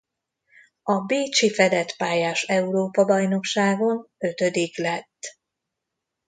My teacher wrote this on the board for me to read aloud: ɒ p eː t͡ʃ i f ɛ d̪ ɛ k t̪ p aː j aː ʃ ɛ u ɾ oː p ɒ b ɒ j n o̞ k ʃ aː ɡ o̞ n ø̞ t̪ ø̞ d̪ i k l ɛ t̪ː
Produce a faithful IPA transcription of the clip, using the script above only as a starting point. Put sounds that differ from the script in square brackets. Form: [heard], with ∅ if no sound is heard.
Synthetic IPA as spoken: ɒ [b] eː t͡ʃ i f ɛ d̪ ɛ [∅] t̪ p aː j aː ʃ ɛ u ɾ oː p ɒ b ɒ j n o̞ k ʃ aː ɡ o̞ n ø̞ t̪ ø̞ d̪ i k l ɛ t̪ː